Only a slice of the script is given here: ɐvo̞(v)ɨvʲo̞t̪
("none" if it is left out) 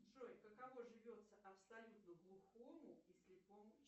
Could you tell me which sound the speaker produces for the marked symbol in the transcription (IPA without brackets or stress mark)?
ʐ